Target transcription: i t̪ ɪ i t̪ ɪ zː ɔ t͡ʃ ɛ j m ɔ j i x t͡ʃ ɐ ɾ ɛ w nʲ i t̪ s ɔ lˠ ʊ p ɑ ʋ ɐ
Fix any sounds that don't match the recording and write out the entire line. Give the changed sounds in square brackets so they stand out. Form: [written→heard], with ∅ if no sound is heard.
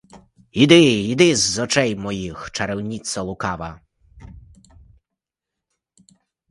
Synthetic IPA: i [t̪→d̪] ɪ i [t̪→d̪] ɪ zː ɔ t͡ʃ ɛ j m ɔ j i x t͡ʃ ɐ ɾ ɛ w nʲ i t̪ s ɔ lˠ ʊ [p→k] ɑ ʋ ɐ

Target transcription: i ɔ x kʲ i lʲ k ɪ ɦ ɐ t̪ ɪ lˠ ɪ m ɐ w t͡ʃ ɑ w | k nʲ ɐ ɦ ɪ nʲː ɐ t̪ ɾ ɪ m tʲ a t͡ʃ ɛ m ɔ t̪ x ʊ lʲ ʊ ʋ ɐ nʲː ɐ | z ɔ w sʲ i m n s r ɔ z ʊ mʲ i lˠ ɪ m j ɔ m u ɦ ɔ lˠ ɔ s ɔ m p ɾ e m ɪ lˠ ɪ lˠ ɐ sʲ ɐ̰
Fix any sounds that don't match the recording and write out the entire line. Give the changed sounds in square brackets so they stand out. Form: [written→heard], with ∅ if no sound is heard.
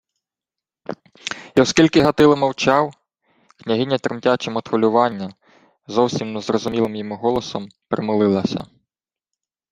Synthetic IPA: i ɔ [x→s] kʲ i lʲ k ɪ ɦ ɐ t̪ ɪ lˠ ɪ m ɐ w t͡ʃ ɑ w | k nʲ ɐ ɦ ɪ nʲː ɐ t̪ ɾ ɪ m tʲ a t͡ʃ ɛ m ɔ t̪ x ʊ lʲ ʊ ʋ [ɐ→ɑ] nʲː ɐ | z ɔ w sʲ i m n [s→z] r ɔ z ʊ mʲ i lˠ ɪ m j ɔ m u ɦ ɔ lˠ ɔ s ɔ m p ɾ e m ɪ lˠ ɪ lˠ ɐ sʲ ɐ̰

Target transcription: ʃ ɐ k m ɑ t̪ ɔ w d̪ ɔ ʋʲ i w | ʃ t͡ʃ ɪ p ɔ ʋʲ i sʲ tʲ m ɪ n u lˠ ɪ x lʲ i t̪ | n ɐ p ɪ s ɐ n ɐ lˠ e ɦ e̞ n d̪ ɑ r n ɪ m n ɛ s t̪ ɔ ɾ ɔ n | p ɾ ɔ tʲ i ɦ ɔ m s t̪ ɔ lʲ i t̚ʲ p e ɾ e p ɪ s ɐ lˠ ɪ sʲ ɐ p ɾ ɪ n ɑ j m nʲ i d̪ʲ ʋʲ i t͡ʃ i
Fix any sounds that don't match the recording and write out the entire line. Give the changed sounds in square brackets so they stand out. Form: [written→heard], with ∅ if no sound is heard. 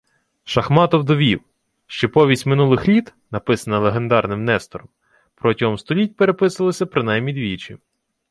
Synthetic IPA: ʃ ɐ [k→x] m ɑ t̪ ɔ w d̪ ɔ ʋʲ i w | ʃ t͡ʃ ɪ p ɔ ʋʲ i sʲ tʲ m ɪ n u lˠ ɪ x lʲ i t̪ | n ɐ p ɪ s ɐ n ɐ lˠ e ɦ e̞ n d̪ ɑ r n ɪ m n ɛ s t̪ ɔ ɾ ɔ [n→m] | p ɾ ɔ tʲ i ɦ ɔ m s t̪ ɔ lʲ i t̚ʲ p e ɾ e p ɪ s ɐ lˠ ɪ sʲ ɐ p ɾ ɪ n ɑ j m nʲ i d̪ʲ ʋʲ i t͡ʃ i

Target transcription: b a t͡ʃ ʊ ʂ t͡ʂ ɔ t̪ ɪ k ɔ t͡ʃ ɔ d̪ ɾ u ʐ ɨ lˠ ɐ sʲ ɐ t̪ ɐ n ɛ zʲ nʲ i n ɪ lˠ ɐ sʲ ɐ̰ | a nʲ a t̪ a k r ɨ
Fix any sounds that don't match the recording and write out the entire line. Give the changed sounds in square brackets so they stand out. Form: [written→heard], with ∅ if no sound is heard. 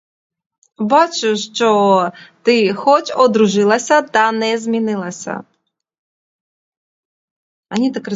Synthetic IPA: b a t͡ʃ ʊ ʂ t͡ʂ ɔ t̪ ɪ [k→x] ɔ t͡ʃ ɔ d̪ ɾ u ʐ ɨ lˠ ɐ sʲ ɐ t̪ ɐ n ɛ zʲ [nʲ→mʲ] i n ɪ lˠ ɐ sʲ ɐ̰ | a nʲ [a→i] t̪ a k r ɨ

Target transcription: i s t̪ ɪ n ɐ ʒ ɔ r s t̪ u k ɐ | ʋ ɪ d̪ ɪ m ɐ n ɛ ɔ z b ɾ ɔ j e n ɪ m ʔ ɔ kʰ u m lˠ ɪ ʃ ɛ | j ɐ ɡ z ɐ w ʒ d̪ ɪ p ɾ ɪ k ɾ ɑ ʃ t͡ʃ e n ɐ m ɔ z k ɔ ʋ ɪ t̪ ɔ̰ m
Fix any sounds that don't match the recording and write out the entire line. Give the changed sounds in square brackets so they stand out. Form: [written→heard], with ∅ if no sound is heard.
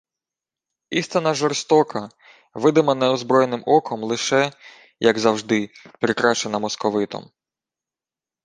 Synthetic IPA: i s t̪ ɪ n ɐ ʒ ɔ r s t̪ [u→ɔ] k ɐ | ʋ ɪ d̪ ɪ m ɐ n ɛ ɔ z b ɾ ɔ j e n ɪ m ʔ ɔ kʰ [u→ɔ] m lˠ ɪ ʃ ɛ | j ɐ ɡ z ɐ w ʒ d̪ ɪ p ɾ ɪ k ɾ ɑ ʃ t͡ʃ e n ɐ m ɔ [z→s] k ɔ ʋ ɪ t̪ ɔ̰ m

